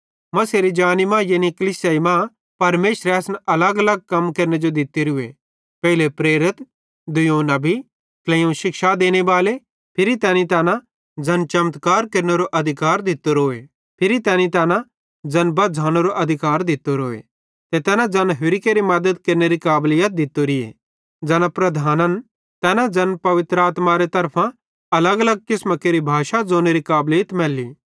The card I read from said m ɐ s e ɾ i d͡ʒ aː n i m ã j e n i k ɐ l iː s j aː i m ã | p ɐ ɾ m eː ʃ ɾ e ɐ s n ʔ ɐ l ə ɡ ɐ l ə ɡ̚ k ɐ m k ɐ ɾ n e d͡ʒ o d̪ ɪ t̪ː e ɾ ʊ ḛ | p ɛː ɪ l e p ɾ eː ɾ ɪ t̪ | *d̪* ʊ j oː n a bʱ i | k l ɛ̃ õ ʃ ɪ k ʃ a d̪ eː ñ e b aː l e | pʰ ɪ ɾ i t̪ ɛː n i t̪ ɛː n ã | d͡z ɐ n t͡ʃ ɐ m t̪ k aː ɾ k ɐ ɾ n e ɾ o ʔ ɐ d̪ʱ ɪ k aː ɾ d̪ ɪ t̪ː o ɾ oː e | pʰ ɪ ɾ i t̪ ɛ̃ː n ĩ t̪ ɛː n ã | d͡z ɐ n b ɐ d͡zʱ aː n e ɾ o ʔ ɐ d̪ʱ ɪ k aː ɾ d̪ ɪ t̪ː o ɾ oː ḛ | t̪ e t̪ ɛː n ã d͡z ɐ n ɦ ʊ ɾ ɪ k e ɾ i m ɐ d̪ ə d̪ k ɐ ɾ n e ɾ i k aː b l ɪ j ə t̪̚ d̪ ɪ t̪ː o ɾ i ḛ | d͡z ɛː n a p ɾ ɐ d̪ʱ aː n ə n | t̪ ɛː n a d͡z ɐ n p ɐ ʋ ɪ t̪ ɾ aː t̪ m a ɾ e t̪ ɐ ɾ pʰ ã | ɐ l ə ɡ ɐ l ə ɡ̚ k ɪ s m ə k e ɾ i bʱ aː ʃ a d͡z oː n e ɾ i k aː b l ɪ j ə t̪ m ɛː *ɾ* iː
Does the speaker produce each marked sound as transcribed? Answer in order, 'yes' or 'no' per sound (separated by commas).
yes, no